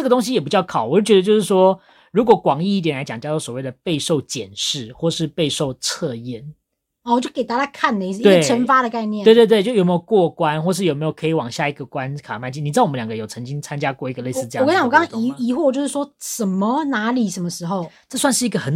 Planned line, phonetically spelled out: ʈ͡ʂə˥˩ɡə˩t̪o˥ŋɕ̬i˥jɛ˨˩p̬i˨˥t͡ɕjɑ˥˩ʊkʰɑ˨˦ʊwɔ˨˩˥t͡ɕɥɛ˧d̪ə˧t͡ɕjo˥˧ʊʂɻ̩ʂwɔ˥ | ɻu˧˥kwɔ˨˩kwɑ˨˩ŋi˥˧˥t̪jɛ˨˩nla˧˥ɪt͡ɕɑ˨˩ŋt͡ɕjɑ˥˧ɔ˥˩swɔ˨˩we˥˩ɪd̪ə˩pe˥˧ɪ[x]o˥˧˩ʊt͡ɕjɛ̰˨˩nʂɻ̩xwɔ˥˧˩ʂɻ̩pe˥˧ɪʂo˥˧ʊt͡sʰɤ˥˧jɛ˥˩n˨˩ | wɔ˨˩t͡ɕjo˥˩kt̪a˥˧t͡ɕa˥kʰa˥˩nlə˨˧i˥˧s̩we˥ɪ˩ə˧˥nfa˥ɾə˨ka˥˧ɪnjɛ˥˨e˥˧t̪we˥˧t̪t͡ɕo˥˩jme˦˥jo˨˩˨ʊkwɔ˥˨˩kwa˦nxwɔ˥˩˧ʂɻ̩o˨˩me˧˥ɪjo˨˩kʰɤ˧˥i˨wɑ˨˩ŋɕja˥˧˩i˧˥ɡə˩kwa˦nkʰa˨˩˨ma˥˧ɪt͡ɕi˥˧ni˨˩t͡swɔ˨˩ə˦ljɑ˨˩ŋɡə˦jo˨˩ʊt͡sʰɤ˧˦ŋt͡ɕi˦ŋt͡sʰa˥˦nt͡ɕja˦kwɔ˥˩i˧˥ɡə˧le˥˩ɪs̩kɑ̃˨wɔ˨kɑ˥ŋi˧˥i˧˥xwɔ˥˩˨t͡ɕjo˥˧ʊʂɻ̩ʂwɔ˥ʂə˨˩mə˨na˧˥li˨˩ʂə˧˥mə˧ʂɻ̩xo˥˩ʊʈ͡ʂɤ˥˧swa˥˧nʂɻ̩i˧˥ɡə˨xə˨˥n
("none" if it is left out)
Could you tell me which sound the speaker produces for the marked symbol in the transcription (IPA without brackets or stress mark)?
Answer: ʂ